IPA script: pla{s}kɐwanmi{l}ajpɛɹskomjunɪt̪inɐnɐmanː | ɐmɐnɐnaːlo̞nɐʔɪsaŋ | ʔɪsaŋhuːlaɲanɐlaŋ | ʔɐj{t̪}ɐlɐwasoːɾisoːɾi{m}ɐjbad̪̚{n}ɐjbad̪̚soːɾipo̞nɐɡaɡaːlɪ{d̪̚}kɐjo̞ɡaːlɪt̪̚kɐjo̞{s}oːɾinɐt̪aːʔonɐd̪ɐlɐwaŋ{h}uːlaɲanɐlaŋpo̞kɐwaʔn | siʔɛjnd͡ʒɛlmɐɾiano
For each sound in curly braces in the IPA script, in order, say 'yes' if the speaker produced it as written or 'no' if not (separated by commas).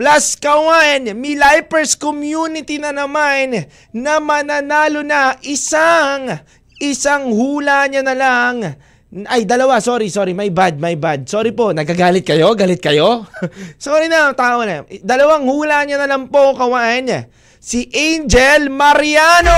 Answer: yes, yes, no, yes, no, no, yes, yes